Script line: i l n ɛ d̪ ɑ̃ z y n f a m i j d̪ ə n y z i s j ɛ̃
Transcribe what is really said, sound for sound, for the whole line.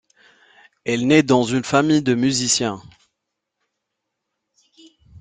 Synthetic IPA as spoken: ɛ l n ɛ d̪ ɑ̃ z y n f a m i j d̪ ə m y z i s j ɛ̃